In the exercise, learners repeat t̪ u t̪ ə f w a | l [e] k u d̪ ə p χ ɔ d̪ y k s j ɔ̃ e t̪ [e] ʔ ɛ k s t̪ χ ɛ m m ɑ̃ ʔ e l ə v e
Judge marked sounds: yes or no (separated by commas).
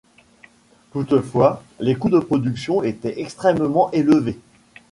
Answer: yes, no